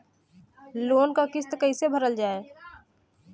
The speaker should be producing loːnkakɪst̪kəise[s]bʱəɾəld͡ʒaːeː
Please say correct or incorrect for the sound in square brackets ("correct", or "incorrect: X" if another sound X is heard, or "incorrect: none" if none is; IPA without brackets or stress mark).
incorrect: none